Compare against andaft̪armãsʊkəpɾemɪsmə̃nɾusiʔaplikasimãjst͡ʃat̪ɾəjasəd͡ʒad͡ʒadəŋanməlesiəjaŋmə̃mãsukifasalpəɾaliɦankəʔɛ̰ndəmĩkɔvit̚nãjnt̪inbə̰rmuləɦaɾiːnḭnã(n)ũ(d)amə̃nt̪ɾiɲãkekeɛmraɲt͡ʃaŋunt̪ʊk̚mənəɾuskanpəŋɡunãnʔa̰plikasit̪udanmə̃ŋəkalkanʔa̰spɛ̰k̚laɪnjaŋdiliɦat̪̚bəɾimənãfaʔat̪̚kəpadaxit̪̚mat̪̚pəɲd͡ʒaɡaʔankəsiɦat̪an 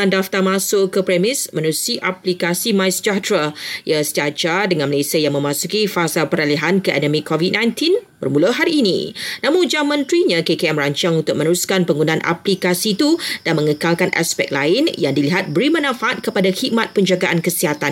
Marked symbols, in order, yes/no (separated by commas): no, no